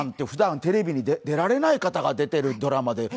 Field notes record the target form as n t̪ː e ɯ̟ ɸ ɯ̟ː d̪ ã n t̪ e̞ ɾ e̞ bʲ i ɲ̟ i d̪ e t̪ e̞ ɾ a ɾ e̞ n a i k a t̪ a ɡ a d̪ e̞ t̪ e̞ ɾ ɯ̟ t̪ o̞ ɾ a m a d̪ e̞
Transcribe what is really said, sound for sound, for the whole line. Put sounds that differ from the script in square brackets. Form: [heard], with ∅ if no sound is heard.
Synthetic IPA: n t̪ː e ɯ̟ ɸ [ɯ̟] d̪ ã n t̪ e̞ ɾ e̞ bʲ i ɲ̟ i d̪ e [d̪] e̞ ɾ a ɾ e̞ n a i k a t̪ a ɡ a d̪ e̞ t̪ e̞ ɾ ɯ̟ [d̪] o̞ ɾ a m a d̪ e̞